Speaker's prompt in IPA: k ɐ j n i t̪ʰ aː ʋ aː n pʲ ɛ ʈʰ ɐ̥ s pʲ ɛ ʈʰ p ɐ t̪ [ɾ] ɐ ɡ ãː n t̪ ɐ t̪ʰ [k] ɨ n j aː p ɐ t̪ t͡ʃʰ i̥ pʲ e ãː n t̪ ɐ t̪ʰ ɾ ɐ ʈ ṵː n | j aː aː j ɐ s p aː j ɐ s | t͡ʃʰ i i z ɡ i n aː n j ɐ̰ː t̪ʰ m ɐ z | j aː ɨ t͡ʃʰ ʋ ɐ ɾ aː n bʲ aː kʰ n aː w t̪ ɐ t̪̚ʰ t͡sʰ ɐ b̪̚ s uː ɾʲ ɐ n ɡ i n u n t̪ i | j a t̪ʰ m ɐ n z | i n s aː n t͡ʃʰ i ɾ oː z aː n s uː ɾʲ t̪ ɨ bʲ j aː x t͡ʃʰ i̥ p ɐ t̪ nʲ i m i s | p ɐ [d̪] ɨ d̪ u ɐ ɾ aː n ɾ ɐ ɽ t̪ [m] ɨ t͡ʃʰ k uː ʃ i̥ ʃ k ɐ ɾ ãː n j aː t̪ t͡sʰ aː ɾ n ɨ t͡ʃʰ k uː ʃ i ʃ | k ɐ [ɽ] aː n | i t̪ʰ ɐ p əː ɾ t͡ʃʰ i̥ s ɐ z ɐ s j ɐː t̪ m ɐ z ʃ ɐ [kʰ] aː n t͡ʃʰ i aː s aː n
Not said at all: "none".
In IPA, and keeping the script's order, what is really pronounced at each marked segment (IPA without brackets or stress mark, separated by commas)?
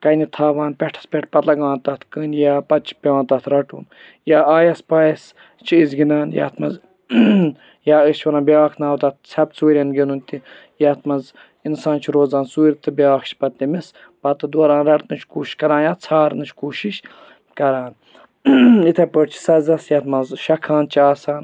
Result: l, k, t̪, n, ɾ, kʰ